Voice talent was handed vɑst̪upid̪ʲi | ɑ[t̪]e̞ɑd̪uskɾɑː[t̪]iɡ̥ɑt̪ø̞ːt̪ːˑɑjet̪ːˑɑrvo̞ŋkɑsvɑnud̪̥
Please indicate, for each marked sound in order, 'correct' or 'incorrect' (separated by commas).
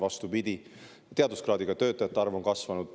correct, incorrect